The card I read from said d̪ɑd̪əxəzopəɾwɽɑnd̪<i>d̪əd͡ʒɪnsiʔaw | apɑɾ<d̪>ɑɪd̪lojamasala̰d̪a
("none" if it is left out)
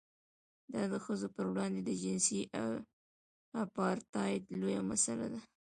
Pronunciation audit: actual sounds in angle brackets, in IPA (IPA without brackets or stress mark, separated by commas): e, t̪